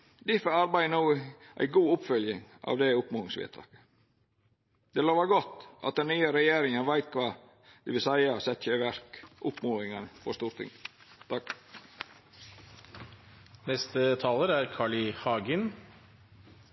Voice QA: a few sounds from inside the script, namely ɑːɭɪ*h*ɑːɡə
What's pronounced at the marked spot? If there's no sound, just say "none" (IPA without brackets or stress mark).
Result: h